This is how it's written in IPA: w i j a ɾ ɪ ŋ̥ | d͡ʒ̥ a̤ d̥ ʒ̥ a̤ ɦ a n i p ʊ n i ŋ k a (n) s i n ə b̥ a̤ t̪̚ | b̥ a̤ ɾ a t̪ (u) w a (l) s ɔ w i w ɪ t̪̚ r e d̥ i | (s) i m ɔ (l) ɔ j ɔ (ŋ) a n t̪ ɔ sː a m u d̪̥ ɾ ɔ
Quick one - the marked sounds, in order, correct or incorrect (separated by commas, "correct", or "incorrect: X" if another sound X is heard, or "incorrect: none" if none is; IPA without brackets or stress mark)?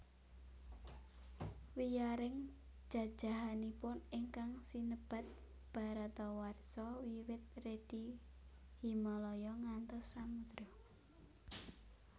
incorrect: ŋ, incorrect: ɔ, incorrect: r, incorrect: h, correct, correct